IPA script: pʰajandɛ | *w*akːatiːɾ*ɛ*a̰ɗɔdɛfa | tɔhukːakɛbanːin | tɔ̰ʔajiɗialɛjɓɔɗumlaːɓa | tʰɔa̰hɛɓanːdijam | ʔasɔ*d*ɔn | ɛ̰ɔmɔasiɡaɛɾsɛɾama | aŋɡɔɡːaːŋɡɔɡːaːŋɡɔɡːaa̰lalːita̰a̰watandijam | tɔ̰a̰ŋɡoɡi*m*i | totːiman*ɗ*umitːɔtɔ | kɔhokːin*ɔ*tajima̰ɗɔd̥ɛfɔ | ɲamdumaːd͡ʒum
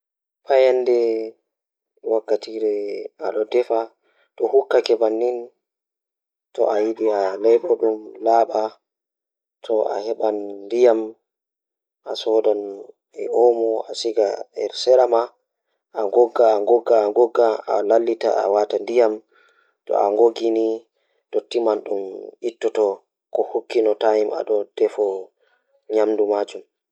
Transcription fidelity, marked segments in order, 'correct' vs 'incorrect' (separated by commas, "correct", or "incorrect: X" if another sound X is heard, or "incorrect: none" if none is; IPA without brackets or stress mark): correct, correct, correct, incorrect: n, correct, correct